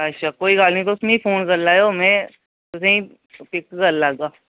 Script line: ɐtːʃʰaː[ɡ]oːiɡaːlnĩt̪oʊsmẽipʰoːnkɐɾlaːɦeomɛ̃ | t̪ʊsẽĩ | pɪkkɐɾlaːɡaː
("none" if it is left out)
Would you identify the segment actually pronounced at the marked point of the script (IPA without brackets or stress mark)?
k